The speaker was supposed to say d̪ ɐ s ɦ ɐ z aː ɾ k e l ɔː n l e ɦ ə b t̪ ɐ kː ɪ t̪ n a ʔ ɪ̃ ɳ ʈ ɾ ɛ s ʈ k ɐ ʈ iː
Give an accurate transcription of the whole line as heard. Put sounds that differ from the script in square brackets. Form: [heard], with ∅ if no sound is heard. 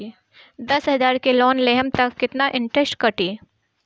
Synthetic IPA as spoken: d̪ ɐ s ɦ ɐ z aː ɾ k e l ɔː n l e ɦ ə [m] t̪ ɐ kː ɪ t̪ n a ʔ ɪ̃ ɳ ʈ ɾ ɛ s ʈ k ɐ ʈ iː